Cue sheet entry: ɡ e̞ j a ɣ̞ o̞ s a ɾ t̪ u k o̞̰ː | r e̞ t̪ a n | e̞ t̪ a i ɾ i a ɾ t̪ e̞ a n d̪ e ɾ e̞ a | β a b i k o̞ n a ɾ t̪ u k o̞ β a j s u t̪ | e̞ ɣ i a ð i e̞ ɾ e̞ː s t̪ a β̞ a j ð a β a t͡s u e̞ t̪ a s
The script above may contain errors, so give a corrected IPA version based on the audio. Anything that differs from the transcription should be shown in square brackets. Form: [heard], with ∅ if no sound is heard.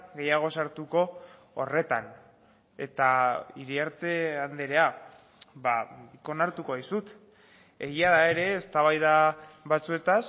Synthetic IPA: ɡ e̞ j a ɣ̞ o̞ s a ɾ t̪ u k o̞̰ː | r e̞ t̪ a n | e̞ t̪ a i ɾ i a ɾ t̪ e̞ a n d̪ e ɾ e̞ a | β a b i k o̞ n a ɾ t̪ u k o̞ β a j s u t̪ | e̞ ɣ i a ð [a] e̞ ɾ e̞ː s t̪ a β̞ a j ð a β a t͡s u e̞ t̪ a s